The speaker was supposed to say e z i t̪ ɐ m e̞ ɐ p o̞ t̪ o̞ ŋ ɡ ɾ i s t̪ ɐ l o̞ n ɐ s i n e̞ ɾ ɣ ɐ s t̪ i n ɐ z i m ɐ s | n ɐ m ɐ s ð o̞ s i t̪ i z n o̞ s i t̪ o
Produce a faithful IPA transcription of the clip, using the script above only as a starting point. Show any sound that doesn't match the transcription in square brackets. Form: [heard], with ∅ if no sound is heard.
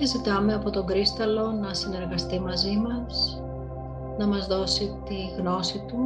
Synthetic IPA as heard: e z i t̪ ɐ m e̞ ɐ p o̞ t̪ o̞ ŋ ɡ ɾ i s t̪ ɐ l o̞ n ɐ s i n e̞ ɾ ɣ ɐ s t̪ i [m] ɐ z i m ɐ s | n ɐ m ɐ [z] ð o̞ s i t̪ i [ɣ] n o̞ s i t̪ [u]